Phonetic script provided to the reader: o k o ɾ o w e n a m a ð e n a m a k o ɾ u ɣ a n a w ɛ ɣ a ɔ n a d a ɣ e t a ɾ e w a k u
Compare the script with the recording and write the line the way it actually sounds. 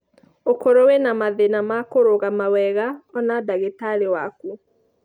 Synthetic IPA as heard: o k o ɾ o w e n a m a ð e n a m a k o ɾ o ɣ a m a w ɛ ɣ a ɔ n a d a ɣ e t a ɾ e w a k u